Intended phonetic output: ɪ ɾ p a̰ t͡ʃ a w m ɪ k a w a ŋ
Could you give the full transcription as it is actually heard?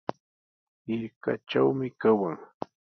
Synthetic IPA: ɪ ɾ k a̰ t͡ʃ a w m ɪ k a w a ŋ